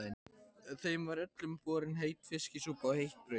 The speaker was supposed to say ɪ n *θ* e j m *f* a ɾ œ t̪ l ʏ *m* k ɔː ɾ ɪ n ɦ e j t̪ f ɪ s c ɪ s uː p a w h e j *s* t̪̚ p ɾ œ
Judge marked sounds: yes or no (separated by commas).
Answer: yes, no, yes, no